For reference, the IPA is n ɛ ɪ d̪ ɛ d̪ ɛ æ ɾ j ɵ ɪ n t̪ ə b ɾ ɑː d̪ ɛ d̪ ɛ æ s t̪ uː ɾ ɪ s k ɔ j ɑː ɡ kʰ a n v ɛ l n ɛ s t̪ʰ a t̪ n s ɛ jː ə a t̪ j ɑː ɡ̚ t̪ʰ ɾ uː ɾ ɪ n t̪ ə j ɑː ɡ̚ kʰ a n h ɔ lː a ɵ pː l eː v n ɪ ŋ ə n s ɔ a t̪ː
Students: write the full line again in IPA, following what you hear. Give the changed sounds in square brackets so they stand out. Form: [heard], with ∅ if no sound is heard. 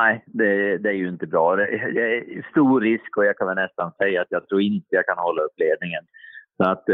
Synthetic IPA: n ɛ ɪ d̪ ɛ d̪ ɛ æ ɾ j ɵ ɪ n t̪ ə b ɾ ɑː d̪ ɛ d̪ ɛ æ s t̪ uː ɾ ɪ s k ɔ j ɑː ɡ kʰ a n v ɛ l n ɛ s [t̪] a [∅] n s ɛ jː [a] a t̪ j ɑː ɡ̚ t̪ʰ ɾ uː ɾ ɪ n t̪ ə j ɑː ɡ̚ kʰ a n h ɔ lː a ɵ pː l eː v n ɪ ŋ ə n s ɔ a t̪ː